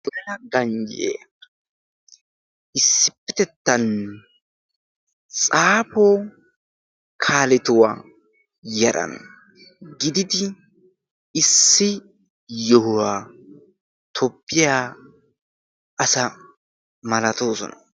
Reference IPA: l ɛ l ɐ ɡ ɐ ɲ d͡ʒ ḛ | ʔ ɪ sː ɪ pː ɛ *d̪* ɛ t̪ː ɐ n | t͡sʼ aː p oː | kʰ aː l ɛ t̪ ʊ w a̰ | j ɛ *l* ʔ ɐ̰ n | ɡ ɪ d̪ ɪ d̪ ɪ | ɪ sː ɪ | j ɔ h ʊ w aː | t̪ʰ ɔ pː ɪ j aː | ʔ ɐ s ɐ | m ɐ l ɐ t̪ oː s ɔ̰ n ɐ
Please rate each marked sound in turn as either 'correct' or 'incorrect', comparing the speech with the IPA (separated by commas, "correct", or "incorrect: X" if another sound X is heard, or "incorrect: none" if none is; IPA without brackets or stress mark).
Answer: incorrect: t̪, incorrect: ɾ